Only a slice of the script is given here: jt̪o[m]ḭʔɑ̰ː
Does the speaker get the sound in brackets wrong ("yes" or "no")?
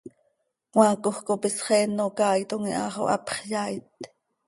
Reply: yes